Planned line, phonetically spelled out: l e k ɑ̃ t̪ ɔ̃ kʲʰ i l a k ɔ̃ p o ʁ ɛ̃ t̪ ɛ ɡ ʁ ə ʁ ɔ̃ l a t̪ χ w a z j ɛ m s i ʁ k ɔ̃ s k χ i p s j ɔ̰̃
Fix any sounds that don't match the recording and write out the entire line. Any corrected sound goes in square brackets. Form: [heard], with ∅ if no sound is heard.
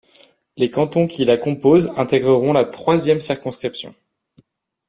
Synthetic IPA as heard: l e k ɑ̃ t̪ ɔ̃ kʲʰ i l a k ɔ̃ p o [z] ɛ̃ t̪ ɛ ɡ ʁ ə ʁ ɔ̃ l a t̪ χ w a z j ɛ m s i ʁ k ɔ̃ s k χ i p s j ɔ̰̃